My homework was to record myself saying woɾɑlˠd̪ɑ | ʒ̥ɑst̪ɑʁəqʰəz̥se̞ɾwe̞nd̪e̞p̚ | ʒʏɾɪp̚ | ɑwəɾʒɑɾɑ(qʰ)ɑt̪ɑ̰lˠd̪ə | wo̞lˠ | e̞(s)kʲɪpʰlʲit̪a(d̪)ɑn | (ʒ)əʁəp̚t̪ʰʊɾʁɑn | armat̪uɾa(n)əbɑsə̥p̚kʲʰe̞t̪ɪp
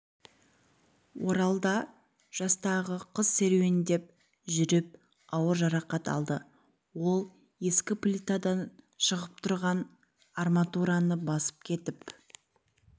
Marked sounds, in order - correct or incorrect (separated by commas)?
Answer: incorrect, correct, correct, incorrect, correct